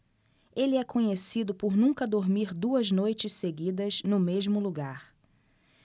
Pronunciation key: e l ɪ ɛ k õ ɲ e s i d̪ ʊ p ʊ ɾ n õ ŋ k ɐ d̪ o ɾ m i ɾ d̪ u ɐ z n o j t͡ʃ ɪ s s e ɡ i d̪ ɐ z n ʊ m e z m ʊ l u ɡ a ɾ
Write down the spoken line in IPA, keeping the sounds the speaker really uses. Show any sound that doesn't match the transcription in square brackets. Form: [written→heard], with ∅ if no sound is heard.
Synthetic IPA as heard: e l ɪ ɛ k õ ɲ e s i d̪ ʊ p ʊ ɾ n [õ→ũ] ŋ k ɐ d̪ o ɾ m i ɾ d̪ u ɐ z n o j t͡ʃ ɪ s s e ɡ i d̪ ɐ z n ʊ m e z m ʊ l u ɡ a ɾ

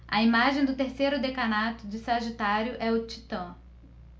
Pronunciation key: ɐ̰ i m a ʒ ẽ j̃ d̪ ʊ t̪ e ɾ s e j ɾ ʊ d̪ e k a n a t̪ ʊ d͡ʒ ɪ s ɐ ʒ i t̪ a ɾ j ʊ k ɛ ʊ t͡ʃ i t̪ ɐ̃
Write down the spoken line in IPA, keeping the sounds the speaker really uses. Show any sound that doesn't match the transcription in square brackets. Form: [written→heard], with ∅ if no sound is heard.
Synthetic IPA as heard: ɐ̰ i m a ʒ ẽ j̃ d̪ ʊ t̪ e ɾ s e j ɾ ʊ d̪ e k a n a t̪ ʊ d͡ʒ ɪ s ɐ ʒ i t̪ a ɾ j ʊ [k→ʔ] ɛ ʊ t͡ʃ i t̪ ɐ̃

